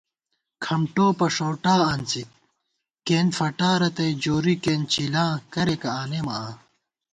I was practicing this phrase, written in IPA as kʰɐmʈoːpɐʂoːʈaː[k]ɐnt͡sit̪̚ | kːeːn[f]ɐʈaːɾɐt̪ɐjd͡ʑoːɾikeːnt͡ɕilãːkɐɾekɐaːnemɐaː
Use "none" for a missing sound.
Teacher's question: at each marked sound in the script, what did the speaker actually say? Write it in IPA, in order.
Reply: none, f

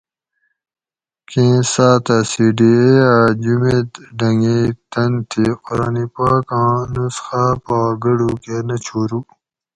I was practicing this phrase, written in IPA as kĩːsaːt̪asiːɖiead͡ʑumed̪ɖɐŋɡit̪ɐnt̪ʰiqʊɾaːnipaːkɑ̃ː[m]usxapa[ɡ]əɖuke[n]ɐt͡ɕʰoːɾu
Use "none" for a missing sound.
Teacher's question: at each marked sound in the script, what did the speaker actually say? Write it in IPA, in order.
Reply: n, ɡ, n

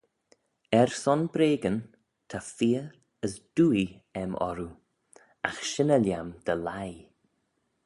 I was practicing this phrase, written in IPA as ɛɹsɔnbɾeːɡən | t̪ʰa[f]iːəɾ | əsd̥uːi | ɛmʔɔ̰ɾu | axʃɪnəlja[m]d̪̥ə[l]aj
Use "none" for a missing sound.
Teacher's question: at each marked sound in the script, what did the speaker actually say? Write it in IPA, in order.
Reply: f, m, l

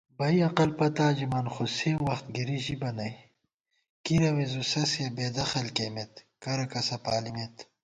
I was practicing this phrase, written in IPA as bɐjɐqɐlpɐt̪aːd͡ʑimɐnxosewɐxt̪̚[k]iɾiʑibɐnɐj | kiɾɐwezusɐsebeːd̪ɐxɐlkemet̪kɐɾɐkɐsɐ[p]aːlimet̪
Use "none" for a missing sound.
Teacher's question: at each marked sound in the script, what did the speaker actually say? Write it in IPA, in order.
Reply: ɡ, p

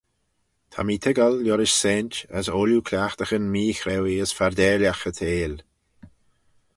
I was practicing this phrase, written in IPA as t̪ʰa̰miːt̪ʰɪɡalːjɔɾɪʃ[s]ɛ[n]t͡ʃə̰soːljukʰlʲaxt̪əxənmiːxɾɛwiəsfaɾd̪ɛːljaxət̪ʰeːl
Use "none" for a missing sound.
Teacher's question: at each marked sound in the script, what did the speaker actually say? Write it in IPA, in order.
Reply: s, n

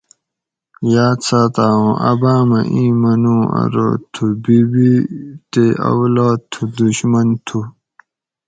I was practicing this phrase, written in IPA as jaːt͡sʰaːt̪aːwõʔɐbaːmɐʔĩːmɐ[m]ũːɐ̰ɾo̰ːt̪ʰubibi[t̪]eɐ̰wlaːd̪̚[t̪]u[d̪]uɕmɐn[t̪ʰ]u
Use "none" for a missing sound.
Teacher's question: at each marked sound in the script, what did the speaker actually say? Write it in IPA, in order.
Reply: n, t̪, t̪ʰ, d̪, t̪ʰ

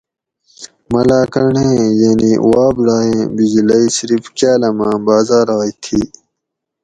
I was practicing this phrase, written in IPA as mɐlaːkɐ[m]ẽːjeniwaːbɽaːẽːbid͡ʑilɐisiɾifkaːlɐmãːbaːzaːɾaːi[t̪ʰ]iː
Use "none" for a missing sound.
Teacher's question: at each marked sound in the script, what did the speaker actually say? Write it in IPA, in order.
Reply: ɳ, t̪ʰ

